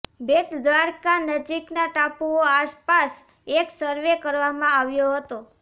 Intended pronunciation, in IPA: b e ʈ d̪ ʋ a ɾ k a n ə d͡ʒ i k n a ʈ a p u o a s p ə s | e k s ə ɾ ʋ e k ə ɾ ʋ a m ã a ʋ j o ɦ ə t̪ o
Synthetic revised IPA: b e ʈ d̪ ʋ a ɾ k a n ə d͡ʒ i k n a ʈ a p u o a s p a s | e k s ə ɾ ʋ e k ə ɾ ʋ a m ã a ʋ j o ɦ ə t̪ o